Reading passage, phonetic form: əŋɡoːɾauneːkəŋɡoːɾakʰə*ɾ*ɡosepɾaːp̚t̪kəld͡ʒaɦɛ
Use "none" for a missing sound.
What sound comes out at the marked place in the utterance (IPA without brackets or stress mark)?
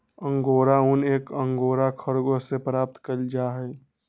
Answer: ɾ